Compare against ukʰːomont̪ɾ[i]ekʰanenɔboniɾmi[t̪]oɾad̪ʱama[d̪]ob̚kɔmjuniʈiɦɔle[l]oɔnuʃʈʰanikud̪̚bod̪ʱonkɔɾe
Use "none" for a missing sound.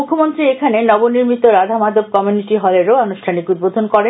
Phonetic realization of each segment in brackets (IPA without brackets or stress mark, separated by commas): i, t̪, d̪, ɾ